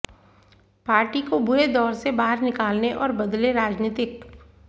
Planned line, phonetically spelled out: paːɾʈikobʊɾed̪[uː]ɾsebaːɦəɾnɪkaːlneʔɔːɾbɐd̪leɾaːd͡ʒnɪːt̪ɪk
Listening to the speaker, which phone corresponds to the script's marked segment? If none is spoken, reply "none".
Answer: ɔː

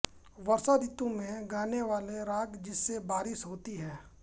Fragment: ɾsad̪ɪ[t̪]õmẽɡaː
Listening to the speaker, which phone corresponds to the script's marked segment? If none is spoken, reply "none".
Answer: t̪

